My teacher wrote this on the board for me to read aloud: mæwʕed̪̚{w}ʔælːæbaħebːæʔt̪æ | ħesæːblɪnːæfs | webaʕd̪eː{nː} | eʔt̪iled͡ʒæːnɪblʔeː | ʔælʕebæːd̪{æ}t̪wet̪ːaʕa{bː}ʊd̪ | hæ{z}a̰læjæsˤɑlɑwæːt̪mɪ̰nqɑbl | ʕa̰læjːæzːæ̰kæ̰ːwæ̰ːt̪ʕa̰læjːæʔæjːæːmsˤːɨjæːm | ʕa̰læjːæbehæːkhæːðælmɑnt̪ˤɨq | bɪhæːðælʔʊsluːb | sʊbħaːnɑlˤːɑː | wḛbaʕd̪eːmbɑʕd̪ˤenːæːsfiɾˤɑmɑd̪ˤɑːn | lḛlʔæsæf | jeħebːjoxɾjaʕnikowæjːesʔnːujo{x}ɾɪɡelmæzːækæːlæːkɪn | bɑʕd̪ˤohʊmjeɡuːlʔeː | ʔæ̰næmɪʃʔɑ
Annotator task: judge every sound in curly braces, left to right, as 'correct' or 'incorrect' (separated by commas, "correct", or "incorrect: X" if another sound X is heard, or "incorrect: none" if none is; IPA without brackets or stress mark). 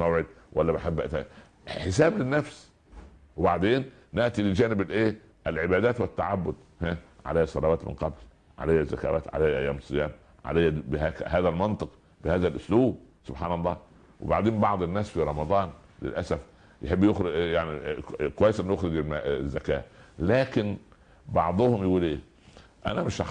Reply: correct, correct, incorrect: æː, correct, incorrect: ʕ, correct